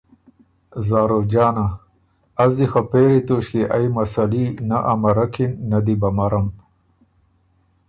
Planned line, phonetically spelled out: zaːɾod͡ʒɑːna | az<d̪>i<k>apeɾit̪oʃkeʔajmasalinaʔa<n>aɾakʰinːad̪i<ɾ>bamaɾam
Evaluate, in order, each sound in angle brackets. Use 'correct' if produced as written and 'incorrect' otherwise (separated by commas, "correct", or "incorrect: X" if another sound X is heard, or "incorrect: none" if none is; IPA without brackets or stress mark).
correct, incorrect: x, incorrect: m, incorrect: none